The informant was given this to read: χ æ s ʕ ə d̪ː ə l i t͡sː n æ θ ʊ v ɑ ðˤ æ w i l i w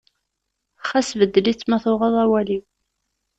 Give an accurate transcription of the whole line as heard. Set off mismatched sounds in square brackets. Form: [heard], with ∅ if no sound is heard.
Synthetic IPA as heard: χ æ s [v] ə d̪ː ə l i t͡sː [m] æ θ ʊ [ʁ] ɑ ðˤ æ w [æ] l i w